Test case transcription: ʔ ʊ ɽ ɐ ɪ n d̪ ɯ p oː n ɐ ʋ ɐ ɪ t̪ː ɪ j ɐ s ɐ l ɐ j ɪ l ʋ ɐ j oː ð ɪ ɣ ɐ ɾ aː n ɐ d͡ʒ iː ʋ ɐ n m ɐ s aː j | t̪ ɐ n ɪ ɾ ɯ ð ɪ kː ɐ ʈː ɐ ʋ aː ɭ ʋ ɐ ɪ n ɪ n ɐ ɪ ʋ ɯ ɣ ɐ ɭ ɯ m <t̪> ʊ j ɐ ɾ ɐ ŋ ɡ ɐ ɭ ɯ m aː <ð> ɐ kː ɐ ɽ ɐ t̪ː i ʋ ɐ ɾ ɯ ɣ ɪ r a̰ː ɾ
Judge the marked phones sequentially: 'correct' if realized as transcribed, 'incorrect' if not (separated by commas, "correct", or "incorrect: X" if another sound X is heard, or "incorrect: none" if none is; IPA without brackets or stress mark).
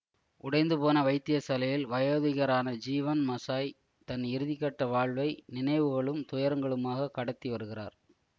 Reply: correct, incorrect: ɣ